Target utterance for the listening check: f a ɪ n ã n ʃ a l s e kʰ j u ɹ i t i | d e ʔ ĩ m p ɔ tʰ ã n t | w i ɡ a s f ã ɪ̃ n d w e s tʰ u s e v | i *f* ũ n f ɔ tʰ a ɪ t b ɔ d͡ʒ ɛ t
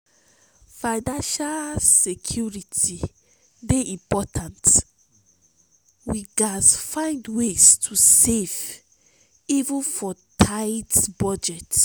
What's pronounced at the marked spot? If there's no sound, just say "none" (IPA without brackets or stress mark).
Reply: v